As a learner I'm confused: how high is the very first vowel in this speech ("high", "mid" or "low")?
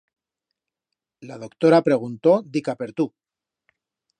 low